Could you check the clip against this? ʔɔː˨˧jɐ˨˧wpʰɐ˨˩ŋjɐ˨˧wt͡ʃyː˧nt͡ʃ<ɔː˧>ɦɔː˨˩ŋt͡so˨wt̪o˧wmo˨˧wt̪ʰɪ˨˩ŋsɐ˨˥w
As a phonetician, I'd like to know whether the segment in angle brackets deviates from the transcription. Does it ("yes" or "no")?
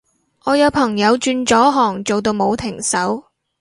yes